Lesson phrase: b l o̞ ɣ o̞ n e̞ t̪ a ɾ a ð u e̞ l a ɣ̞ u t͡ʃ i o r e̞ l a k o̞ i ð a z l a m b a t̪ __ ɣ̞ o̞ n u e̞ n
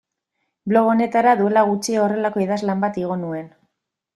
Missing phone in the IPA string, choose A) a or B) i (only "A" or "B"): B